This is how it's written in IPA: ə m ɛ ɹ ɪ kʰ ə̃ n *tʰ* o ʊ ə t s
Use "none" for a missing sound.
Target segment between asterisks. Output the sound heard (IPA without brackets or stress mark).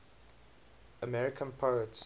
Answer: pʰ